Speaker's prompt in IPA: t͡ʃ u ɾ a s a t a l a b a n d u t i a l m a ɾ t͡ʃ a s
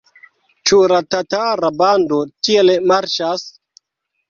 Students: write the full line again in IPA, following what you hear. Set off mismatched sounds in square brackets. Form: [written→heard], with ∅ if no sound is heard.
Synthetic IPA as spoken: t͡ʃ u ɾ a [s→t] a t a [l→ɾ] a b a n d [u→o] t i [a→e] l m a ɾ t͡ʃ a s